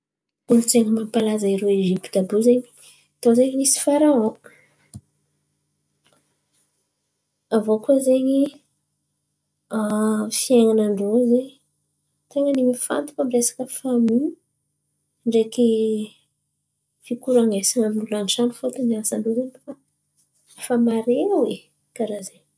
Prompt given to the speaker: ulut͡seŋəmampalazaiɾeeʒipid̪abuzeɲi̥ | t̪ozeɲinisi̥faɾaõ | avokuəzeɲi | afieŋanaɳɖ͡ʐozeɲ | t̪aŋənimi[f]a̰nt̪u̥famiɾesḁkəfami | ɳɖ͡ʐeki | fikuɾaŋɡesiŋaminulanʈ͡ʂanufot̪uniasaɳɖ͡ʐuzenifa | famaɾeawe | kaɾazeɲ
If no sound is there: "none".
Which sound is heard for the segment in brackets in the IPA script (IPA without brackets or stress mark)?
f